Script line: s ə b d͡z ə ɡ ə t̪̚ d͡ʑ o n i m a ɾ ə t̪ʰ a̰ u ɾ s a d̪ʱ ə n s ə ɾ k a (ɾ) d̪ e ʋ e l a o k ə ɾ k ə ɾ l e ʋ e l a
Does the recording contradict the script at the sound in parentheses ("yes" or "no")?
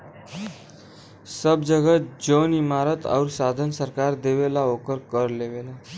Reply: no